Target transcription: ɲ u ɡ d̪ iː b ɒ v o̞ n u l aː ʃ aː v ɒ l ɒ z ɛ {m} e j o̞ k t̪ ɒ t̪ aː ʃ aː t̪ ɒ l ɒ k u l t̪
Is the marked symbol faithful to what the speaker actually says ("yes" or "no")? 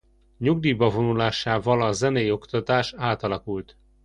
no